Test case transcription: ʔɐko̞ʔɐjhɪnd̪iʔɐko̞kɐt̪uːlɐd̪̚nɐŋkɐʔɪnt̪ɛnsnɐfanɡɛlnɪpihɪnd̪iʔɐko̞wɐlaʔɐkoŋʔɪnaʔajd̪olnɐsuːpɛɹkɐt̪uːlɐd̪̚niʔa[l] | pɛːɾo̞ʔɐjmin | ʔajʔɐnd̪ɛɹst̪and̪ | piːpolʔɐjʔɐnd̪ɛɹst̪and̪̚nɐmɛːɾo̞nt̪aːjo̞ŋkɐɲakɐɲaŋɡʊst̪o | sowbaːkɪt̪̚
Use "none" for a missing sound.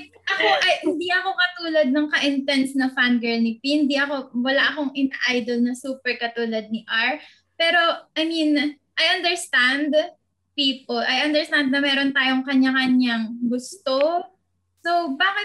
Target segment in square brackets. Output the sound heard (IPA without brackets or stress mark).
ɹ